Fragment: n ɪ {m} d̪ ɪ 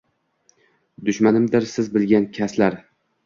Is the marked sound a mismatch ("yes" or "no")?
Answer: no